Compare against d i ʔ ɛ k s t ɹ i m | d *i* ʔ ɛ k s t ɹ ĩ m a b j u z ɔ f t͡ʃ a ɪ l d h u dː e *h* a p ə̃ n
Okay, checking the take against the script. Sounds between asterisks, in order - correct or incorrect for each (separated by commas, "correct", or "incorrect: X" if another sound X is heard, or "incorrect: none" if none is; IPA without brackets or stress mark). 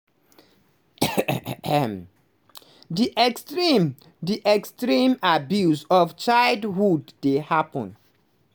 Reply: correct, correct